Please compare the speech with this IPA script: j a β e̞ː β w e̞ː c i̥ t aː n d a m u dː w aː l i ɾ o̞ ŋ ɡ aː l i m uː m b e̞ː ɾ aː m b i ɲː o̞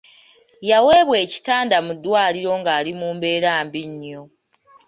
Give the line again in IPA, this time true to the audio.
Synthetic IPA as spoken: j a w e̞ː β w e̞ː c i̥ t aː n d a m u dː w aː l i ɾ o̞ ŋ ɡ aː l i m uː m b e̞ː ɾ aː m b i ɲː o̞